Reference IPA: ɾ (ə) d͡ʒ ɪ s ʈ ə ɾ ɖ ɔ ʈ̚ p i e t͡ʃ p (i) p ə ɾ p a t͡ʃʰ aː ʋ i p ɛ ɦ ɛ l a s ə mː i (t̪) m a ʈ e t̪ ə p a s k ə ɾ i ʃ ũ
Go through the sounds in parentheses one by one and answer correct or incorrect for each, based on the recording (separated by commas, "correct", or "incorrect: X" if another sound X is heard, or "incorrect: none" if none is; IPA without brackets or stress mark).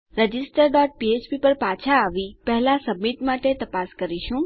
correct, correct, correct